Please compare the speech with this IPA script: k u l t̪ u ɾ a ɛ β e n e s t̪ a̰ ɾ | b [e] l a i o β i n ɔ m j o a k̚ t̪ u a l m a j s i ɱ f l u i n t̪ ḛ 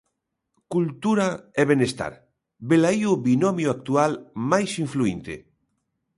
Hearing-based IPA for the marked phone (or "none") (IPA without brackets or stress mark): e